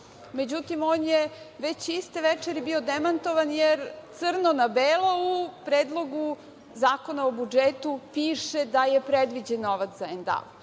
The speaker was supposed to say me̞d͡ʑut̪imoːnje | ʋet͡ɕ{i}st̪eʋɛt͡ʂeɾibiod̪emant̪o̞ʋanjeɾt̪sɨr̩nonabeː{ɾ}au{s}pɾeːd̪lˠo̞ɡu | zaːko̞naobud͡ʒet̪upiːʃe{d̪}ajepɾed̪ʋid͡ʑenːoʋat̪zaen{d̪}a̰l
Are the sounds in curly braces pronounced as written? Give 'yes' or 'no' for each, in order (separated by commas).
yes, no, no, yes, yes